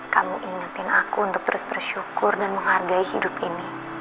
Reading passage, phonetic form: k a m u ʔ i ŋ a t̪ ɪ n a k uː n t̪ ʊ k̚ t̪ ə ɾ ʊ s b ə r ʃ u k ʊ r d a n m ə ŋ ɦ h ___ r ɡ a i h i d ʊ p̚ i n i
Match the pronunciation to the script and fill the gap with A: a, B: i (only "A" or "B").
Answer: A